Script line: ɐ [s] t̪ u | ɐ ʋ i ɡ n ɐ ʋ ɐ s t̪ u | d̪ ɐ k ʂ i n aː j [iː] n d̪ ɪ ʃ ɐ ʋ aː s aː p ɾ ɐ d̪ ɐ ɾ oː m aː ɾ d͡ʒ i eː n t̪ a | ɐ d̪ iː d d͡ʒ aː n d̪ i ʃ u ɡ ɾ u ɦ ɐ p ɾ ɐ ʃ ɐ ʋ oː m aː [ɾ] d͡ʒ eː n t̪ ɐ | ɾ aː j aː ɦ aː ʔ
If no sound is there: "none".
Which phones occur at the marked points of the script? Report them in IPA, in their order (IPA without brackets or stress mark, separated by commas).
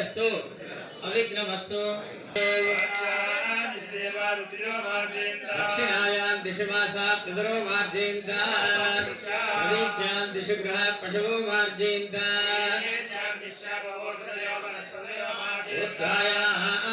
s, aː, ɾ